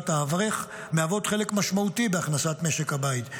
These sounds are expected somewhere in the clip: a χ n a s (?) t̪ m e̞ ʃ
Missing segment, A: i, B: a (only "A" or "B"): B